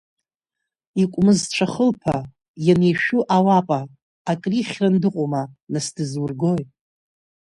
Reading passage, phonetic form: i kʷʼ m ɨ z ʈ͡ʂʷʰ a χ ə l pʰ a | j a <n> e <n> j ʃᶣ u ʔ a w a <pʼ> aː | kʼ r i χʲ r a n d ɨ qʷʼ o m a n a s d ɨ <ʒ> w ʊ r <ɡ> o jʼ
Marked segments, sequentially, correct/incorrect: correct, incorrect, correct, incorrect, correct

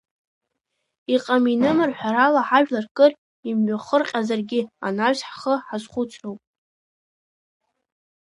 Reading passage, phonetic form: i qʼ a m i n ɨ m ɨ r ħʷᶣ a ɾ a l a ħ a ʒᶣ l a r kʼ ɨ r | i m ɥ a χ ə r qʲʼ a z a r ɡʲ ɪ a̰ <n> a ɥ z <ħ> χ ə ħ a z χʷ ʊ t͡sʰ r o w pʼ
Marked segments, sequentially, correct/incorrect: correct, correct

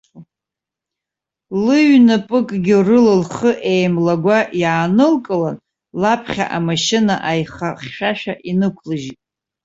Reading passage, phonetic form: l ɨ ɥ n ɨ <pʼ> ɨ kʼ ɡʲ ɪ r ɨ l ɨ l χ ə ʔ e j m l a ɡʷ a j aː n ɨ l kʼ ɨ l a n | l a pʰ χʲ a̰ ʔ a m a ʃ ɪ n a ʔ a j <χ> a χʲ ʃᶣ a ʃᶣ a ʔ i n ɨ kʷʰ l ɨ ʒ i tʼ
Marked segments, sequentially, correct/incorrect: correct, correct

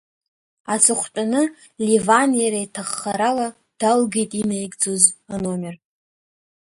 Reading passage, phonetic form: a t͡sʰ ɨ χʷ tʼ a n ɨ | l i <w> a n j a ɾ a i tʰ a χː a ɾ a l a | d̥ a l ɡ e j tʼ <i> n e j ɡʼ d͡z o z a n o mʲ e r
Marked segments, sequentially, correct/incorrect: incorrect, correct

